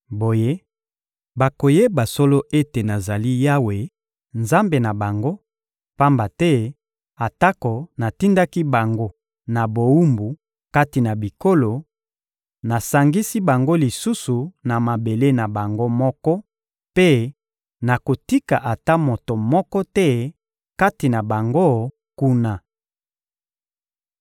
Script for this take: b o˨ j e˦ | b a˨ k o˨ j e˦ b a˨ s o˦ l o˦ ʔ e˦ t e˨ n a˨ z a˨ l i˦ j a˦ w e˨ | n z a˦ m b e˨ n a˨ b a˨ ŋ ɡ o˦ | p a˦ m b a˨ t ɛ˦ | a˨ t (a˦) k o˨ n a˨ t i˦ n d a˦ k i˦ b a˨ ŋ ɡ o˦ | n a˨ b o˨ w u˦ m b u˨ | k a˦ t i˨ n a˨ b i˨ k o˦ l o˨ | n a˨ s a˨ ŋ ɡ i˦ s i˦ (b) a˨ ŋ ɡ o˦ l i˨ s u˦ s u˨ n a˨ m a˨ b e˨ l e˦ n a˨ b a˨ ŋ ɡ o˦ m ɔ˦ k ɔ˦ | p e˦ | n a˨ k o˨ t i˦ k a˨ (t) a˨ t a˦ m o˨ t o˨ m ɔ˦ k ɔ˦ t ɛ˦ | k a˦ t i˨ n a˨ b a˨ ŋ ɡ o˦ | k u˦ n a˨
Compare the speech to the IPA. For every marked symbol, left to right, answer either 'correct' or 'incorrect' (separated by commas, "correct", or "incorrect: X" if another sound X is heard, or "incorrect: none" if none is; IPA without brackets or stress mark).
correct, correct, incorrect: ʔ